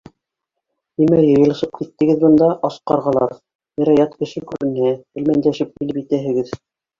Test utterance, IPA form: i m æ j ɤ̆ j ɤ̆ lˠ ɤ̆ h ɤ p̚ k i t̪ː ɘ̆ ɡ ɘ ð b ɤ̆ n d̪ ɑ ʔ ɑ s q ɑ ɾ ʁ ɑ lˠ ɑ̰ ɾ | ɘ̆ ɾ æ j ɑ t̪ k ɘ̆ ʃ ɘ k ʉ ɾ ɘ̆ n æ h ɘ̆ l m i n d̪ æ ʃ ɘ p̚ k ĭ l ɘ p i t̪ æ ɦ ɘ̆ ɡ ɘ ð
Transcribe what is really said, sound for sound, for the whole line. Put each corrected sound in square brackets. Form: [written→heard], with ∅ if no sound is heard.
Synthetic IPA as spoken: i m æ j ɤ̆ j ɤ̆ lˠ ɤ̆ [h→ʃ] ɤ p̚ k i t̪ː ɘ̆ ɡ ɘ ð b ɤ̆ n d̪ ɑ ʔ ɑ s q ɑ ɾ ʁ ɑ lˠ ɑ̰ ɾ | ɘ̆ ɾ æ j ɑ t̪ k ɘ̆ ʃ ɘ k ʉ ɾ ɘ̆ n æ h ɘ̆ l m [i→æ] n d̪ æ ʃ ɘ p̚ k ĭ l ɘ p i t̪ æ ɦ ɘ̆ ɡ ɘ ð